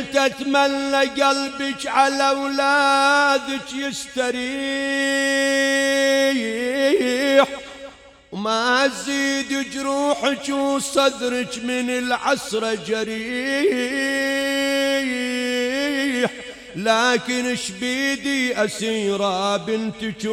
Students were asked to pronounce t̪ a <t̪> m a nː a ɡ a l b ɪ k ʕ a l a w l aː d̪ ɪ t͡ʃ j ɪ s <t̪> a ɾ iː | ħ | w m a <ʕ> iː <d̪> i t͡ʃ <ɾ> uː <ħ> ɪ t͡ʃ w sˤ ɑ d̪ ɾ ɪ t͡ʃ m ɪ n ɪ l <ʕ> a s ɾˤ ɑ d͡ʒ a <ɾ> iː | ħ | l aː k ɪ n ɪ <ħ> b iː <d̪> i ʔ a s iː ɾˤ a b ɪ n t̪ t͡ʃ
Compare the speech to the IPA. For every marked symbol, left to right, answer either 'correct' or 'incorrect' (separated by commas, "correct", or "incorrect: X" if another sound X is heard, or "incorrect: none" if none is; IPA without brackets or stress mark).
correct, correct, incorrect: z, correct, correct, correct, correct, correct, incorrect: ʃ, correct